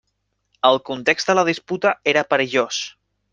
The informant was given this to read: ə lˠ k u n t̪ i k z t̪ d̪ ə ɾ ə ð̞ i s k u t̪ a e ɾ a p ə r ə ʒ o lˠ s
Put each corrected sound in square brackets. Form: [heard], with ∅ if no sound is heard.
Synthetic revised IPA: ə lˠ k u n t̪ [e] k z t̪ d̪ ə [l] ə ð̞ i s [p] u t̪ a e ɾ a p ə [ɾ] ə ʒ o [∅] s